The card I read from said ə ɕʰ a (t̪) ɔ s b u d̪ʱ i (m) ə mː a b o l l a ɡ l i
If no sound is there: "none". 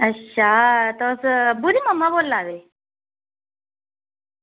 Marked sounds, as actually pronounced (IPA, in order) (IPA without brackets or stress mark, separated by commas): t̪, m